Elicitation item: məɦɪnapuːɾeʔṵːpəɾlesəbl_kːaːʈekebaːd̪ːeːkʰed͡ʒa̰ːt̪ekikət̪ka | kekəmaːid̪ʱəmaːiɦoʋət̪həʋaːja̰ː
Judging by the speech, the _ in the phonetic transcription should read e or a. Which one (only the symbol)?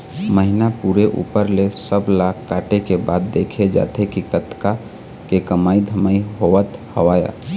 a